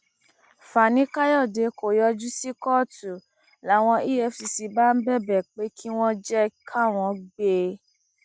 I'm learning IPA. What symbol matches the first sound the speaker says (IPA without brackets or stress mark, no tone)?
f